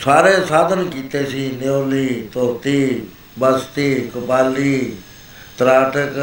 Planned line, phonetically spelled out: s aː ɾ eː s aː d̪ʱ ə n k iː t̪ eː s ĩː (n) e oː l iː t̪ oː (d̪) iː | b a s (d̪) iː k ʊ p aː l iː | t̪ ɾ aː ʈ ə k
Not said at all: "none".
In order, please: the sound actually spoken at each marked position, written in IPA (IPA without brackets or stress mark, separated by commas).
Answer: n, t̪, t̪